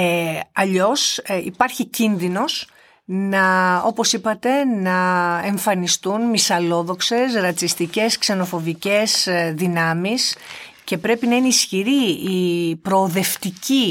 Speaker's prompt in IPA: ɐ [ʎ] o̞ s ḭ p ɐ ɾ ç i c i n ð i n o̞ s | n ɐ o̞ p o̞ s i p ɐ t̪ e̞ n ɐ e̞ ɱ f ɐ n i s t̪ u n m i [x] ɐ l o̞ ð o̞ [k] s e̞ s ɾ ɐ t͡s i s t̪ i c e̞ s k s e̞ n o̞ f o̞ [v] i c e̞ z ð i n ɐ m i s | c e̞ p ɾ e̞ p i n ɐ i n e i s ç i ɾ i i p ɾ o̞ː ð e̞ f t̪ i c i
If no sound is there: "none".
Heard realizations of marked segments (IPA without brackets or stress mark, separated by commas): ʎ, s, k, v